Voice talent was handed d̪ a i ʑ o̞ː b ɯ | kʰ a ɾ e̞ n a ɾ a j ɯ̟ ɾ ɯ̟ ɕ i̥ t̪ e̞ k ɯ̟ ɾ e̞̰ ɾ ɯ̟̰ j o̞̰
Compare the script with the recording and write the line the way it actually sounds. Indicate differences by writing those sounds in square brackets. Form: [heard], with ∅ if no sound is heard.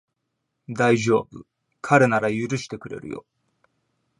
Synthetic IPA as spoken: d̪ a i ʑ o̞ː b ɯ | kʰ a ɾ e̞ n a ɾ a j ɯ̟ ɾ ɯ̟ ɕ i̥ t̪ e̞ k ɯ̟ ɾ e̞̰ ɾ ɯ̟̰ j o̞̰